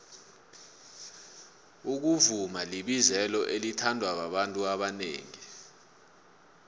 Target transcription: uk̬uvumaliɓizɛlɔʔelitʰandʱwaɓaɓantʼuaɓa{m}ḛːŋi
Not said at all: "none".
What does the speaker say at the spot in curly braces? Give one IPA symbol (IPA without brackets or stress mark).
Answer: n